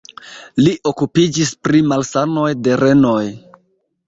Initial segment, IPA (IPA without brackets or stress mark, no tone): l